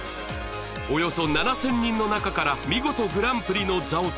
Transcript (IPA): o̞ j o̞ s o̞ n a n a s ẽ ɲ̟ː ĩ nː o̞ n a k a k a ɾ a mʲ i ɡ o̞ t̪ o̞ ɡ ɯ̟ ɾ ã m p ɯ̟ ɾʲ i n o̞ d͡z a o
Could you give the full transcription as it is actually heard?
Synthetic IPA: o̞ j o̞ s o̞ n a n a s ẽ ɲ̟ː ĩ nː o̞ n a k a k a ɾ a mʲ i ɡ o̞ t̪ o̞ ɡ ɯ̟ ɾ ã m p ɯ̟ ɾʲ i n o̞ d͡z a o